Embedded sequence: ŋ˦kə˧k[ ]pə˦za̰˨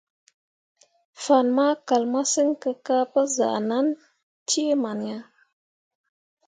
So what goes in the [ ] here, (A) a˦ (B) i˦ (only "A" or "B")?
A